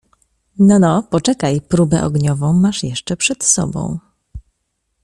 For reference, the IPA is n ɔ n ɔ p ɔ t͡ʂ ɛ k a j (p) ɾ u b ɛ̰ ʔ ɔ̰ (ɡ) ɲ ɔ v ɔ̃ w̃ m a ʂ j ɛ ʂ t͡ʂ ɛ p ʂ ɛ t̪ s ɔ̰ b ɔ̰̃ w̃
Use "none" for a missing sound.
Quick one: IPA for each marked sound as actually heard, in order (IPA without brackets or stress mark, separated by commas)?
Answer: p, ɡ